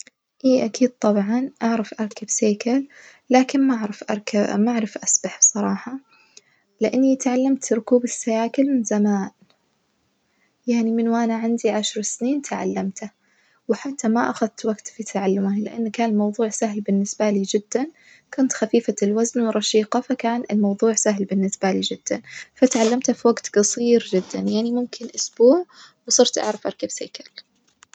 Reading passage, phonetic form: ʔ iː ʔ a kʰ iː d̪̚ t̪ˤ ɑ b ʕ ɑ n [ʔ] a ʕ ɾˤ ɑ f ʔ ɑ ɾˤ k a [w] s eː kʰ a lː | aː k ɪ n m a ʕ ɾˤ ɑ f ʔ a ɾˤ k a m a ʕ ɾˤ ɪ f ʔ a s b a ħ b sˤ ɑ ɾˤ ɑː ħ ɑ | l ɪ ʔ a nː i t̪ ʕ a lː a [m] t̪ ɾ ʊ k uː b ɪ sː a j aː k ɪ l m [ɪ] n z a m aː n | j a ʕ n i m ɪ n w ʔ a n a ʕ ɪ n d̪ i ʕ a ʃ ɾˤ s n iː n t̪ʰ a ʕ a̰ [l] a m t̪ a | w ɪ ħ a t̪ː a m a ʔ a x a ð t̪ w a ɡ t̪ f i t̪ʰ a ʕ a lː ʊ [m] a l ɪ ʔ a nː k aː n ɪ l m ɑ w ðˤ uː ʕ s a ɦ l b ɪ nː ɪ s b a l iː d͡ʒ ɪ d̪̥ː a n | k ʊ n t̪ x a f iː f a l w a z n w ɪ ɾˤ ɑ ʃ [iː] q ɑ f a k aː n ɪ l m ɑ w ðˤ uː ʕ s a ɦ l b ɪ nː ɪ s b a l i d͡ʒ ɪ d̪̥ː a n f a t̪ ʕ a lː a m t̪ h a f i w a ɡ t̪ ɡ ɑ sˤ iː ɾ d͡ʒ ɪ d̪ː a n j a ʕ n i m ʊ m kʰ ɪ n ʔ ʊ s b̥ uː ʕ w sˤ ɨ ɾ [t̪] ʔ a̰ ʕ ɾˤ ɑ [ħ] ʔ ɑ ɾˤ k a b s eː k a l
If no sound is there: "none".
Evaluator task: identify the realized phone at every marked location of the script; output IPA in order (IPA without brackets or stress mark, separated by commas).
ʔ, b, m, ɪ, lː, m, iː, t̪, f